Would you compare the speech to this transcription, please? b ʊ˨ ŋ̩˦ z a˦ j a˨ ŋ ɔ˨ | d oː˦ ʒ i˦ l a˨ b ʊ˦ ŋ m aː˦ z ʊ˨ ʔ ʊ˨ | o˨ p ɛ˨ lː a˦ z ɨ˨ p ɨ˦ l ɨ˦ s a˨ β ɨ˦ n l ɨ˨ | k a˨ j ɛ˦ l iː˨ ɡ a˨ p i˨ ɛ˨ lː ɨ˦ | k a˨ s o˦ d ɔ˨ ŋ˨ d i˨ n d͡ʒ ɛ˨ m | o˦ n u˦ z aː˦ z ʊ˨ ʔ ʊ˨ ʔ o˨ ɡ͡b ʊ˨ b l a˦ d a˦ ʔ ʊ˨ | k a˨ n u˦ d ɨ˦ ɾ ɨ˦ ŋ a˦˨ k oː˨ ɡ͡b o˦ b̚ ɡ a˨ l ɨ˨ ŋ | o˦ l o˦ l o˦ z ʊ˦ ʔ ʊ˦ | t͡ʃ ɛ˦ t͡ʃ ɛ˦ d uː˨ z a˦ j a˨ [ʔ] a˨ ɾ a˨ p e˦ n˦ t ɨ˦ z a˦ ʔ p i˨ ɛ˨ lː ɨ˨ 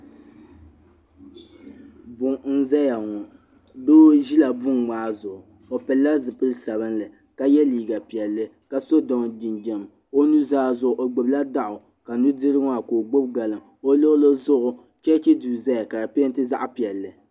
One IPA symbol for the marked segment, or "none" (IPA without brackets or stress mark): k